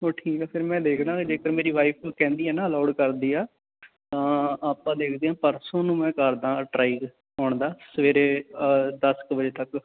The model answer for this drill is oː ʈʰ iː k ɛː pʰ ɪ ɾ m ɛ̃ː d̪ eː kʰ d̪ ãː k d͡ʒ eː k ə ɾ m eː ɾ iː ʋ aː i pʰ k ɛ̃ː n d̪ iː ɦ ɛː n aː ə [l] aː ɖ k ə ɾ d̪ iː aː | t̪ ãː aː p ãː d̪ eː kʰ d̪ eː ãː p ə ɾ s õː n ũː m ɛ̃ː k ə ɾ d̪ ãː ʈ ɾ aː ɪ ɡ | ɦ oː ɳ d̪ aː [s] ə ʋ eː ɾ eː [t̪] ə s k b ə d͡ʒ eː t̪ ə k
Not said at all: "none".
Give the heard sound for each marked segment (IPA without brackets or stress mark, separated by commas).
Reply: l, s, d̪